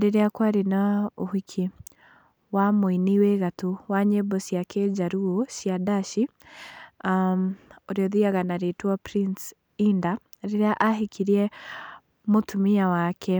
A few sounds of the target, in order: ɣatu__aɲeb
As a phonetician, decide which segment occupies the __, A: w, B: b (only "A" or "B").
A